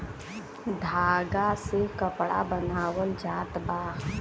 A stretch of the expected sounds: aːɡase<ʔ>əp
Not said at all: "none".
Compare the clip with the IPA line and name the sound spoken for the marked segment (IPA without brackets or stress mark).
k